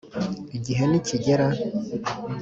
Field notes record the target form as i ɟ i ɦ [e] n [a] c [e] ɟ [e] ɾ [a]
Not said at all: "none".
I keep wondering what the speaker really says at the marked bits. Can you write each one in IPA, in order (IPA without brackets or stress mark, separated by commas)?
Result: e, i, i, e, a